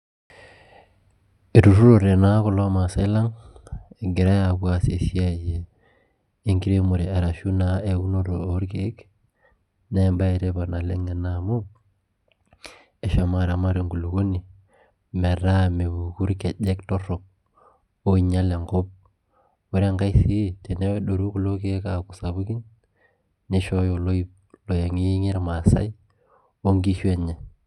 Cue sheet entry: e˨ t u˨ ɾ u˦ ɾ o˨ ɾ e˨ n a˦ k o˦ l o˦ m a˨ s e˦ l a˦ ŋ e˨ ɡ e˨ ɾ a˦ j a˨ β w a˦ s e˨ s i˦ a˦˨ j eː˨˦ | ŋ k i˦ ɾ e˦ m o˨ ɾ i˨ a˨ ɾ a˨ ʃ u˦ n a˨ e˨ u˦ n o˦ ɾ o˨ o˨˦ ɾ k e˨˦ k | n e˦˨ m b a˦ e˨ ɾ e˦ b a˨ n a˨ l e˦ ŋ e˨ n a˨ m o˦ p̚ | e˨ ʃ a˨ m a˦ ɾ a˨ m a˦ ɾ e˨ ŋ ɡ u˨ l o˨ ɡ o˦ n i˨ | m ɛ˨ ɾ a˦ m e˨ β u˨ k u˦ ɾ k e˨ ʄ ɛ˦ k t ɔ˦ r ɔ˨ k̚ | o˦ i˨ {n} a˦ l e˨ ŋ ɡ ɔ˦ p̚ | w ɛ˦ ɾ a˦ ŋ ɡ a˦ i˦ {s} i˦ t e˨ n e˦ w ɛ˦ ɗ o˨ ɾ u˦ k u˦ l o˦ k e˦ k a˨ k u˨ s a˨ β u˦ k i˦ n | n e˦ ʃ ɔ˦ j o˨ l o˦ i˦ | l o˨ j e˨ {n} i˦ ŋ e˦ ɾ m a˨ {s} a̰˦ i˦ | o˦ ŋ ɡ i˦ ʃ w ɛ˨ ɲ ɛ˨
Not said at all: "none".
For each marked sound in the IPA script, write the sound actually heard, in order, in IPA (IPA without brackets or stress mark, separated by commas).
ɲ, s, ŋ, s